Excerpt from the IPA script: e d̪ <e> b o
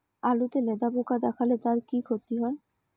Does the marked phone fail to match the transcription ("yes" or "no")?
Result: yes